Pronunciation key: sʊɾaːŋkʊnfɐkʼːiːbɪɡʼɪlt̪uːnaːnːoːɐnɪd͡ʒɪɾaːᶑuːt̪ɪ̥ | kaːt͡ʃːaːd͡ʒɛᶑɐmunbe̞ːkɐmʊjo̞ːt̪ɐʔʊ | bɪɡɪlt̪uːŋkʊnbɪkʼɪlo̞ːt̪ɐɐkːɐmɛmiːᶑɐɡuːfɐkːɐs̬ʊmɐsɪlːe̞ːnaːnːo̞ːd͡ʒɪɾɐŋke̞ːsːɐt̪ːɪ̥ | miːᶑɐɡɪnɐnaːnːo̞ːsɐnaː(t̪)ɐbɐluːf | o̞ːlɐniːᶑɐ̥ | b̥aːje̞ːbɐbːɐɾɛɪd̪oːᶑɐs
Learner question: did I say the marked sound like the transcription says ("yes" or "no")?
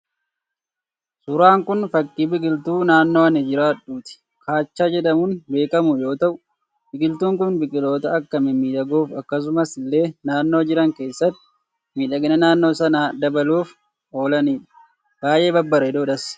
no